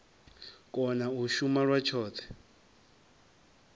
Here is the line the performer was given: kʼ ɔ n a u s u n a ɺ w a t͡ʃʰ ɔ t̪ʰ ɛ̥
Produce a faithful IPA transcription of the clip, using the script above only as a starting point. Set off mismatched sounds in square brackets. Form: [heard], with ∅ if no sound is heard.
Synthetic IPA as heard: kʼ ɔ n a u [ʃ] u [m] a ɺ w a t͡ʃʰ [ɔː] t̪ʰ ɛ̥